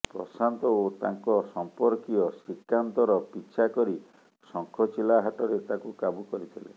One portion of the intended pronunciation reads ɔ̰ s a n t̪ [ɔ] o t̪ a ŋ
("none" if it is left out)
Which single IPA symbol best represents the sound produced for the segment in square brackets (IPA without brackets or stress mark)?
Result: ɔ